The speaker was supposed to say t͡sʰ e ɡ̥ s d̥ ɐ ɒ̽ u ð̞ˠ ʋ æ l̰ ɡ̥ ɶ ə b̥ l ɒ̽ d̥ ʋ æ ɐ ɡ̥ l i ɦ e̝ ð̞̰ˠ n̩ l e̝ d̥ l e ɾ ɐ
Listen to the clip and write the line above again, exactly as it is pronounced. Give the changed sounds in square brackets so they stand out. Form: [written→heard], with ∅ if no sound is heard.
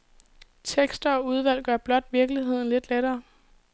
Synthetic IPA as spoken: t͡sʰ e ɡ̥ s d̥ ɐ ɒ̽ u ð̞ˠ ʋ æ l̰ ɡ̥ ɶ [ə→ɐ] b̥ l ɒ̽ d̥ ʋ [æ→i] ɐ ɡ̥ l i ɦ e̝ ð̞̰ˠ n̩ l e̝ d̥ l e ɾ [ɐ→ɐː]

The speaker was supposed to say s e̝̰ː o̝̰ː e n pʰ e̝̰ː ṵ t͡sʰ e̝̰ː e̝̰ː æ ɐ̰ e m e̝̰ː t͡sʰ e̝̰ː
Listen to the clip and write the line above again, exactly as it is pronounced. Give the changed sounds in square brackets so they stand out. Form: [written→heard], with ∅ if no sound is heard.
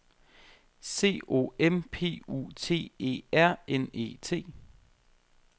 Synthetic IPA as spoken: s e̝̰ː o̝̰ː e [n→m] pʰ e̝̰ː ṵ t͡sʰ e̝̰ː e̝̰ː æ ɐ̰ e [m→n] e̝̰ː t͡sʰ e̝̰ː

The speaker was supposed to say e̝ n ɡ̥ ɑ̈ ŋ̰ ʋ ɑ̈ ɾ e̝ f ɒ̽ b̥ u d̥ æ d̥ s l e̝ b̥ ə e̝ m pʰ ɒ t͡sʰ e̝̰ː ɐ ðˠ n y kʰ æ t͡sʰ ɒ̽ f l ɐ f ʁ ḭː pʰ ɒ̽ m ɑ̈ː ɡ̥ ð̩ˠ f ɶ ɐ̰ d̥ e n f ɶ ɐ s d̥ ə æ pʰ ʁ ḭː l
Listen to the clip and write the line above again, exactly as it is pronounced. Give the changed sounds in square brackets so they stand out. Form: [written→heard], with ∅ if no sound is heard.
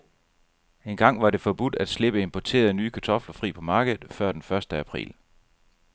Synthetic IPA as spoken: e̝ n ɡ̥ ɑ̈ ŋ̰ ʋ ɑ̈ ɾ e̝ f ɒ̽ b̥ u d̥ æ d̥ s l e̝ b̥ ə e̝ m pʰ ɒ t͡sʰ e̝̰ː ɐ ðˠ n [y→yː] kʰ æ t͡sʰ ɒ̽ f l ɐ f ʁ ḭː pʰ ɒ̽ m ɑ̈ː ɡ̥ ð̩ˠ f ɶ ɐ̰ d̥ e n f ɶ ɐ s d̥ ə æ pʰ ʁ ḭː l

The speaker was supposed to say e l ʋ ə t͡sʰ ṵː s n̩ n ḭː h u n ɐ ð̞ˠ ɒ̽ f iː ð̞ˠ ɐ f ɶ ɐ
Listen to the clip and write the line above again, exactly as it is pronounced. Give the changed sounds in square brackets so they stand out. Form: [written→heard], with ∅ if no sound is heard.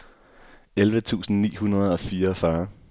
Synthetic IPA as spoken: e l ʋ ə t͡sʰ ṵː s n̩ n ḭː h u n ɐ ð̞ˠ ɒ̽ f iː [ð̞ˠ→∅] ɐ f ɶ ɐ

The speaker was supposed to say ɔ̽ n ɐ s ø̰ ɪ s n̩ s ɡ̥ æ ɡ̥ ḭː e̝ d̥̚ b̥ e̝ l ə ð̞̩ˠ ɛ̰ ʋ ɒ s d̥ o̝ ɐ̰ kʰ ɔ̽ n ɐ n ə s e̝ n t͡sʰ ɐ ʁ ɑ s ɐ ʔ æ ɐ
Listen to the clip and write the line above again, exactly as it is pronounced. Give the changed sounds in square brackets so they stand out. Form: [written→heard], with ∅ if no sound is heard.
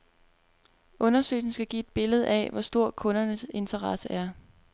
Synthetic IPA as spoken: ɔ̽ n ɐ s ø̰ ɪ s n̩ s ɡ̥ æ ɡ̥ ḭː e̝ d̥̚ b̥ e̝ l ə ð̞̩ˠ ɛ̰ ʋ ɒ s d̥ o̝ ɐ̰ kʰ ɔ̽ n ɐ n ə s e̝ n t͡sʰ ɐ ʁ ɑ s [ɐ→ə] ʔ æ ɐ

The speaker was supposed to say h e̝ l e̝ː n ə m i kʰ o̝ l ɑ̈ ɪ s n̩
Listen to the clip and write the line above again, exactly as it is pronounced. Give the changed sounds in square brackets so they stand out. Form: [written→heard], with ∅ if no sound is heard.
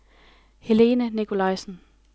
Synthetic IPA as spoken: h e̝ l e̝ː n ə [m→n] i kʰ o̝ l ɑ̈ ɪ s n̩

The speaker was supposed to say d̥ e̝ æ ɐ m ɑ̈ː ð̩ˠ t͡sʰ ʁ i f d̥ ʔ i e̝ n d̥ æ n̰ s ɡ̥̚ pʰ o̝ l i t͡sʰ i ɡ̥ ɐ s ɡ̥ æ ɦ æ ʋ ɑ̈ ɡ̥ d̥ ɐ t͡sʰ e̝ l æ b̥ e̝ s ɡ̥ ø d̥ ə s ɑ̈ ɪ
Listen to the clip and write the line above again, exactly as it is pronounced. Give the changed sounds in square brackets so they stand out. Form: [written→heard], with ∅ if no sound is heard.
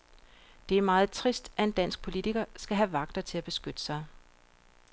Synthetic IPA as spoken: d̥ e̝ æ ɐ m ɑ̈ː ð̩ˠ t͡sʰ ʁ i [f→s] d̥ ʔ [i→æ] e̝ n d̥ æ n̰ s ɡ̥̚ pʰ o̝ l i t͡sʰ i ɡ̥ ɐ s ɡ̥ æ ɦ æ ʋ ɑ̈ ɡ̥ d̥ ɐ t͡sʰ e̝ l æ b̥ e̝ s ɡ̥ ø d̥ ə s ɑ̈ ɪ

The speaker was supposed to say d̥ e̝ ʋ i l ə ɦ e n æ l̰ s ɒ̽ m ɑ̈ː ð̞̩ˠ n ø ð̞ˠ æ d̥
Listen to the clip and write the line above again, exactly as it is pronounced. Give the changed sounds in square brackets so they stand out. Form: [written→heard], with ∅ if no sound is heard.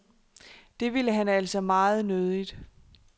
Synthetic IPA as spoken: d̥ e̝ ʋ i l ə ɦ [e→æ] n æ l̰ s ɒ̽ m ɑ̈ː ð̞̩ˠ n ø ð̞ˠ [æ→i] d̥

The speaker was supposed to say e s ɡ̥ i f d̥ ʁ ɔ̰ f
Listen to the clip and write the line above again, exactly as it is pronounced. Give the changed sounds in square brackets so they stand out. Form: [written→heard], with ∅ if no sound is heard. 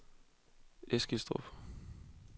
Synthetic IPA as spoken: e s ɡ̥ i [f→s] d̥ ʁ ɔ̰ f

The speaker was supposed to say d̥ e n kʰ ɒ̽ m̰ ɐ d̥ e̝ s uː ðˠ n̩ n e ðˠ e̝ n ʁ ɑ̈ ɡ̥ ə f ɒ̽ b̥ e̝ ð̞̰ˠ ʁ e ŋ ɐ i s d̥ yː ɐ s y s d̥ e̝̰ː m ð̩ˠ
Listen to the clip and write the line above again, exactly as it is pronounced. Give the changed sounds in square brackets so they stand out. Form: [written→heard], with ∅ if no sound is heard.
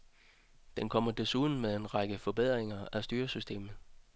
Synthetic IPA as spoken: d̥ e n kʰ ɒ̽ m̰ ɐ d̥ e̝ s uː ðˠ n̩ [n→m] e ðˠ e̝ n ʁ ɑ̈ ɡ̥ ə f ɒ̽ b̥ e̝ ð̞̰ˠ ʁ e ŋ ɐ [i→æ] s d̥ yː ɐ s y s d̥ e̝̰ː m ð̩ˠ

